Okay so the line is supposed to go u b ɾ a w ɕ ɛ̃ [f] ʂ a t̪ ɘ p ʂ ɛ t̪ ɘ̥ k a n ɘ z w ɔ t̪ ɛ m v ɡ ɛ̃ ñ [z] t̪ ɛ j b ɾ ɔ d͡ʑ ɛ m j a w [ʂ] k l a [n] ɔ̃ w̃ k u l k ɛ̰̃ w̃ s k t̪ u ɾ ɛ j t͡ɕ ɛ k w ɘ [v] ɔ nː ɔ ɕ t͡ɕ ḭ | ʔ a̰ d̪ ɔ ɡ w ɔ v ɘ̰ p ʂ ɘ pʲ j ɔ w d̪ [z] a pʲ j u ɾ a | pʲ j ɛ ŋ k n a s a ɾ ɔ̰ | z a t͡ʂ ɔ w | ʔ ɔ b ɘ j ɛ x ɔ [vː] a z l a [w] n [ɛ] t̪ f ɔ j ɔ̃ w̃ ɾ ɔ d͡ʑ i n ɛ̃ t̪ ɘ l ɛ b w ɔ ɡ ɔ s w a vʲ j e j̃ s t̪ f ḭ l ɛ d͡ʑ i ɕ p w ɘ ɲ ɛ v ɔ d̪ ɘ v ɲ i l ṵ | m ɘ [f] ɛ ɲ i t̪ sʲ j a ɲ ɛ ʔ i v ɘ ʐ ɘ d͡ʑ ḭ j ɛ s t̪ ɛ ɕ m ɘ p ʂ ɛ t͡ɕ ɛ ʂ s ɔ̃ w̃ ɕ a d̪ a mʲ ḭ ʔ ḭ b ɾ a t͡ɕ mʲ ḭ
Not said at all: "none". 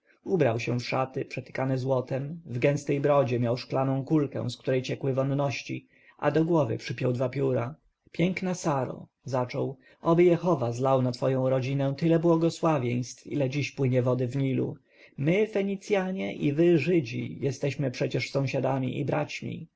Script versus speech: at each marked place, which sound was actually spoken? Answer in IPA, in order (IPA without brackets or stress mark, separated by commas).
f, s, ʂ, n, v, v, v, w, a, f